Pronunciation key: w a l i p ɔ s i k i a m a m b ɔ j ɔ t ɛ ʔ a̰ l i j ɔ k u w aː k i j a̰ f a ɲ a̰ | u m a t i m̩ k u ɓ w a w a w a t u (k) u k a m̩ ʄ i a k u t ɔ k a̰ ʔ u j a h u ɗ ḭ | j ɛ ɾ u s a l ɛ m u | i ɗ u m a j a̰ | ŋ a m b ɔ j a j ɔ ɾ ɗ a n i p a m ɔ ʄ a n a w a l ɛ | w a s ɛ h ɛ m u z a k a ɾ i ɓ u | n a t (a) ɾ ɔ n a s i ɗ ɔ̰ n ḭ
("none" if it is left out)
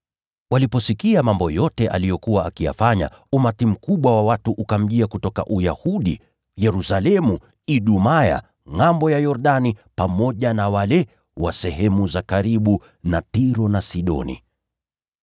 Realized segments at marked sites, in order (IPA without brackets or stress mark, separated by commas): ʔ, i